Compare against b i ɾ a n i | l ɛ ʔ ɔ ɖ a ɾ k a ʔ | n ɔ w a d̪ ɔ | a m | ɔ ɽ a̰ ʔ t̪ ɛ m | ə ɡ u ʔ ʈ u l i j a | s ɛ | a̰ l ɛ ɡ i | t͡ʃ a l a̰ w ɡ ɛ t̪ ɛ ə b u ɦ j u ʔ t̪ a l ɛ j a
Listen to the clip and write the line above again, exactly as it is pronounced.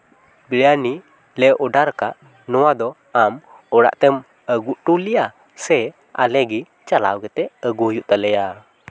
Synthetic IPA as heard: b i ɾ a n i | l ɛ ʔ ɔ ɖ a ɾ k a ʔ | n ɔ w a d̪ ɔ | a m | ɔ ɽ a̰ ʔ t̪ ɛ m | ə ɡ u ʔ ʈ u l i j a | s ɛ | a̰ l ɛ ɡ i | t͡ʃ a l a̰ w ɡ ɛ t̪ ɛ ə ɡ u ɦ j u ʔ t̪ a l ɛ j a

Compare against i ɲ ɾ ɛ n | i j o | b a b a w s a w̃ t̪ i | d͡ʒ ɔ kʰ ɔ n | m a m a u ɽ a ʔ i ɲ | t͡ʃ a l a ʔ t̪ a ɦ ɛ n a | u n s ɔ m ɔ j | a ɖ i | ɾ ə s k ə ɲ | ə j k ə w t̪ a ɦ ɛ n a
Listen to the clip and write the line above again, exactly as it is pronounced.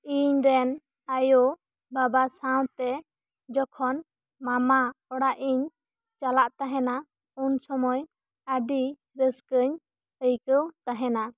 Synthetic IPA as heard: i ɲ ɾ ɛ n | a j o | b a b a s a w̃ t̪ ɛ | d͡ʒ ɔ kʰ ɔ n | m a m a ɔ ɽ a ʔ i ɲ | t͡ʃ a l a ʔ t̪ a ɦ ɛ n a | u n s ɔ m ɔ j | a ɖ i | ɾ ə s k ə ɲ | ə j k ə w t̪ a ɦ ɛ n a

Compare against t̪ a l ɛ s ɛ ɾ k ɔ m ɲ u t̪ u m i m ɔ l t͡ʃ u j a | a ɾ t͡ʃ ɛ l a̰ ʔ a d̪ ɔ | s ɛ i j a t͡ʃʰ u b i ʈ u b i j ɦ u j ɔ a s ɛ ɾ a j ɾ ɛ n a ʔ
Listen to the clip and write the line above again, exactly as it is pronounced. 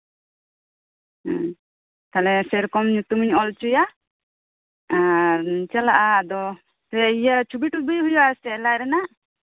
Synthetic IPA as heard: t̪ a l ɛ s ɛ ɾ k ɔ m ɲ u t̪ u m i ɲ ɔ l t͡ʃ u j a | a ɾ t͡ʃ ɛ l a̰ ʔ a d̪ ɔ | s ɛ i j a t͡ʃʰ u b i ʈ u b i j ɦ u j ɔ a s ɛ l a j ɾ ɛ n a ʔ

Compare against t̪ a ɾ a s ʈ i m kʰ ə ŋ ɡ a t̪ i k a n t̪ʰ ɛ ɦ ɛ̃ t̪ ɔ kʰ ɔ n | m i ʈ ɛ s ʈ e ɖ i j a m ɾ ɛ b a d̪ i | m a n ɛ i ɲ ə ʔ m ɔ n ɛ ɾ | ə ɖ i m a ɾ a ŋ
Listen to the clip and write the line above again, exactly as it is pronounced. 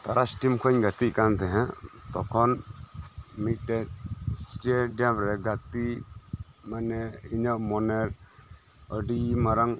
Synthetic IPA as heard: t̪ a ɾ a s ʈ i m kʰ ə ɲ ɡ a t̪ i k a n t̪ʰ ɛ ɦ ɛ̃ t̪ ɔ kʰ ɔ n | m i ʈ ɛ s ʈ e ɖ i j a m ɾ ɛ ɡ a t̪ i | m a n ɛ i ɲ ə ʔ m ɔ n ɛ ɾ | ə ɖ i m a ɾ a ŋ

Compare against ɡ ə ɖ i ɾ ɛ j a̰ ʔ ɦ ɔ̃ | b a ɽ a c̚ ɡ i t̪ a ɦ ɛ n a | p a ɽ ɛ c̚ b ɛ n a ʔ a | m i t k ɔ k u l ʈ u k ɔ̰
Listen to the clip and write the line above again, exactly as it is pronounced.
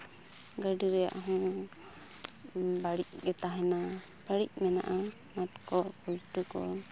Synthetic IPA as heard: ɡ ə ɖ i ɾ ɛ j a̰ ʔ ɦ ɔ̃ | b a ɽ i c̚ ɡ ɛ t̪ a ɦ ɛ n a | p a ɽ i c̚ m ɛ n a ʔ a | m a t k ɔ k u l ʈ u k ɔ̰

